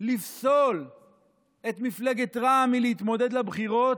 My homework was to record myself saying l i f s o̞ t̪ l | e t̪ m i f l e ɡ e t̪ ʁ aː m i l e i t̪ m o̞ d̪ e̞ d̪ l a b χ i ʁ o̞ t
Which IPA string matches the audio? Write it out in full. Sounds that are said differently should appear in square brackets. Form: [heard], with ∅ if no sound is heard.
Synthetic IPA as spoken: l i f s o̞ [∅] l | e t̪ m i f l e ɡ e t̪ ʁ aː m i l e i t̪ m o̞ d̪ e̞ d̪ l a b χ i ʁ o̞ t